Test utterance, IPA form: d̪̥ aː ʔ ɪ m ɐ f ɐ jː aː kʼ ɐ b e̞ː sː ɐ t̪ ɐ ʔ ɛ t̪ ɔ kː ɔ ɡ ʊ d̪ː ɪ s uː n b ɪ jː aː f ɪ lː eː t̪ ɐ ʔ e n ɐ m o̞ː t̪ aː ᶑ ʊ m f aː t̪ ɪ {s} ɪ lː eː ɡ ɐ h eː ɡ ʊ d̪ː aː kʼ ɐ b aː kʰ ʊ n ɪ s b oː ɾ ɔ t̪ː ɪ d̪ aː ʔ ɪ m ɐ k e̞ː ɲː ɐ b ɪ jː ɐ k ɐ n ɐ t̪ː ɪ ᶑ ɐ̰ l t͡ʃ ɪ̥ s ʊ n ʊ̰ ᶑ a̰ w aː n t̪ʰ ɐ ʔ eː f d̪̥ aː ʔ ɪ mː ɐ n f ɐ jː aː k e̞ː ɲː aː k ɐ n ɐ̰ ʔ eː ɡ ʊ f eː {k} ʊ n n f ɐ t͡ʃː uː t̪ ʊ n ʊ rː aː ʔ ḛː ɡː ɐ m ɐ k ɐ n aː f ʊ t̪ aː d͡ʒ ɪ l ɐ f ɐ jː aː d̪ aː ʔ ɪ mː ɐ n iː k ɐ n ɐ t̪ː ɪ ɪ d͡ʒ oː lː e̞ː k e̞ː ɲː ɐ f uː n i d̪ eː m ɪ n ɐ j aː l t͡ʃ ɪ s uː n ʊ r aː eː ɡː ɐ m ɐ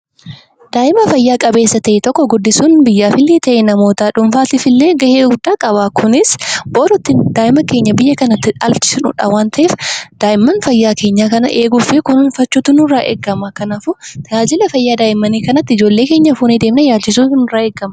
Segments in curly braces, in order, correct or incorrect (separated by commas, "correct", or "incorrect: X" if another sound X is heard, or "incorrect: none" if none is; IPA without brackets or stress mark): incorrect: f, correct